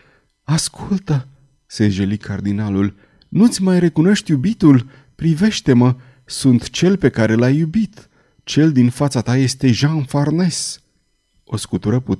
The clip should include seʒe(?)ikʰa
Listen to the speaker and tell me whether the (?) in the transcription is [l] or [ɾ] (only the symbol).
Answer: l